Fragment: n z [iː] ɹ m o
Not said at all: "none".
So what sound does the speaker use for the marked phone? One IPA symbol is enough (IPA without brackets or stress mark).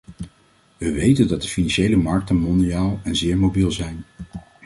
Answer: ɪː